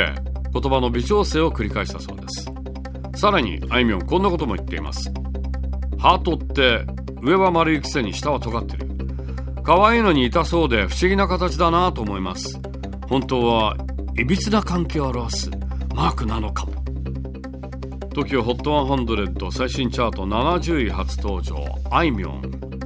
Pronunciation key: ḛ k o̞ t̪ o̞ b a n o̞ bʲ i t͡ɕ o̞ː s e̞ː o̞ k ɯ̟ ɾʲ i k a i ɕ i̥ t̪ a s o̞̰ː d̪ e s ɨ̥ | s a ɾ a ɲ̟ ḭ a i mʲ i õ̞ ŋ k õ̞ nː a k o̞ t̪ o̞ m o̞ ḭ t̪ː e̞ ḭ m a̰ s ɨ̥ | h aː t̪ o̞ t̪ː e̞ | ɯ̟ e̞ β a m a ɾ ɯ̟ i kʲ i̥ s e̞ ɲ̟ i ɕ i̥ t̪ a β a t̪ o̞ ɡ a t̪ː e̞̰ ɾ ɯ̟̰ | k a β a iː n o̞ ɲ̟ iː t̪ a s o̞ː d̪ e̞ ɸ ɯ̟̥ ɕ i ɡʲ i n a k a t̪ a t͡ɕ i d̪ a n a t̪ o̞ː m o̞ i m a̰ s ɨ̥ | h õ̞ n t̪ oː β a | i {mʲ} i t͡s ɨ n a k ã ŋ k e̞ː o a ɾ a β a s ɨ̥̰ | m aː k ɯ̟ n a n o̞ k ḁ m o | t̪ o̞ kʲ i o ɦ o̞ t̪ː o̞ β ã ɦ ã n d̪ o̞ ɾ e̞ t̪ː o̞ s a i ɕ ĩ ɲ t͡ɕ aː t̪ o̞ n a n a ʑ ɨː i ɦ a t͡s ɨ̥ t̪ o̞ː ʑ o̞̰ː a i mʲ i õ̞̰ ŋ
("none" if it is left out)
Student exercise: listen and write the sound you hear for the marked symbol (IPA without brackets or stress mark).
bʲ